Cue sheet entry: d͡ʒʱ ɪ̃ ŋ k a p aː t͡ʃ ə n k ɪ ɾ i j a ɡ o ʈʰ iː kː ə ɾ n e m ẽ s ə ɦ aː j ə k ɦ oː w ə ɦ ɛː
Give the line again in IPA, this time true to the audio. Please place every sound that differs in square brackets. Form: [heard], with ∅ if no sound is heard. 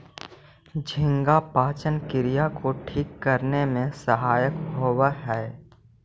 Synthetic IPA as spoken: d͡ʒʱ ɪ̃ ŋ [ɡ] a p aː t͡ʃ ə n k ɪ ɾ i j a [k] o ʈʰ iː kː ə ɾ n e m ẽ s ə ɦ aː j ə k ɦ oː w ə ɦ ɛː